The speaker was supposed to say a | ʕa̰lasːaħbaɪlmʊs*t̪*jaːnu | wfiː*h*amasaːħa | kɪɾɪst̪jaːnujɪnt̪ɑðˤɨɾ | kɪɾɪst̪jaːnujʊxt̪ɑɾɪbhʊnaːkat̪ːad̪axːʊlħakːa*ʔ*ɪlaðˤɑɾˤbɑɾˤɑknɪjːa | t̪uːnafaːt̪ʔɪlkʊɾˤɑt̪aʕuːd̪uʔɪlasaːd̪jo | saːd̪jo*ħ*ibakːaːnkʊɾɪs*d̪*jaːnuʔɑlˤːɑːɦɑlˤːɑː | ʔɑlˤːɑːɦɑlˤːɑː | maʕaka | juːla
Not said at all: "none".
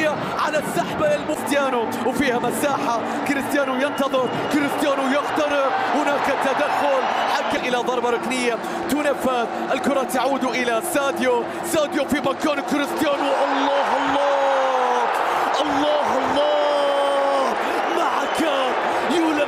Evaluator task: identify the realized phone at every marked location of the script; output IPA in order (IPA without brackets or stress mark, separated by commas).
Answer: t̪, h, ʔ, f, t̪